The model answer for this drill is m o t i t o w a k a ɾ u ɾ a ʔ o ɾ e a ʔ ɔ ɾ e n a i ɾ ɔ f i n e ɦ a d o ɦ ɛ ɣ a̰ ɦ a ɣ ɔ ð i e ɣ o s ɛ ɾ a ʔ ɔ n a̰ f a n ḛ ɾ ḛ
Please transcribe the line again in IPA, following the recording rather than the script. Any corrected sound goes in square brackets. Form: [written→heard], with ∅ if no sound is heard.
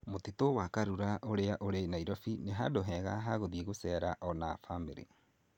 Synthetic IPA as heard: m o t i t o w a k a ɾ u ɾ a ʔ o ɾ e a ʔ [ɔ→o] ɾ e n a i ɾ ɔ f i n e ɦ a d o ɦ ɛ ɣ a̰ ɦ a ɣ [ɔ→o] ð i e ɣ o s ɛ ɾ a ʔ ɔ n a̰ f a [n→m] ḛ ɾ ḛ